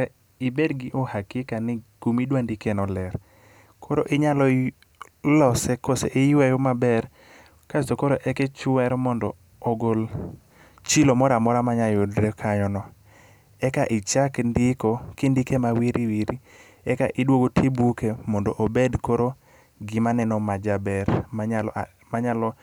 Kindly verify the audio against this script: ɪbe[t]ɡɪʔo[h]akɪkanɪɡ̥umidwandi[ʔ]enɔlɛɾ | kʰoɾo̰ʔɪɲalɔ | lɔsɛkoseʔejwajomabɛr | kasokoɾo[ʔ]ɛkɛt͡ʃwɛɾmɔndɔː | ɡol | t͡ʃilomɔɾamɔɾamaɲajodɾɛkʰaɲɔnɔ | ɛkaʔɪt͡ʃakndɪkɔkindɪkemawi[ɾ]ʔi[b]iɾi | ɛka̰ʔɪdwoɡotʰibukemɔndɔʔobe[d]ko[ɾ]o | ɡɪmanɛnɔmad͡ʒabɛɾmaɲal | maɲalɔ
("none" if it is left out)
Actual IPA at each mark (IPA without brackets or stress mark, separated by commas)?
d, h, k, ʔ, ɾ, w, d, ɾ